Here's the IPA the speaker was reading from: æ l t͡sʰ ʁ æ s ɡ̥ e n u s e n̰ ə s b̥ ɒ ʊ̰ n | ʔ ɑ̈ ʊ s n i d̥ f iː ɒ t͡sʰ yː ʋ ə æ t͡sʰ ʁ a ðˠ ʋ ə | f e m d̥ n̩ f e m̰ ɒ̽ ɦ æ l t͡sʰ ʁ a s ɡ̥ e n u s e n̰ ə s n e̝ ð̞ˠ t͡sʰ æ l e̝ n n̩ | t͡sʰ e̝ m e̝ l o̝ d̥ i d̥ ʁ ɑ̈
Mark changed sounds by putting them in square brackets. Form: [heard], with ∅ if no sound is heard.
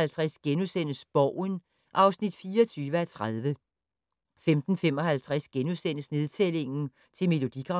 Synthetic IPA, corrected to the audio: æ l t͡sʰ ʁ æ s ɡ̥ e n u s e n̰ ə s b̥ ɒ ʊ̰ n | ʔ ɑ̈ ʊ s n i d̥ f iː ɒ t͡sʰ yː ʋ ə æ t͡sʰ ʁ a ðˠ ʋ ə | f e m d̥ n̩ f e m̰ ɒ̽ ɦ æ l t͡sʰ ʁ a s ɡ̥ e n u s e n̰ ə s n e̝ ð̞ˠ t͡sʰ [e] l e̝ [ŋ] n̩ | t͡sʰ e̝ m e̝ l o̝ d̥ i [ɡ̥] ʁ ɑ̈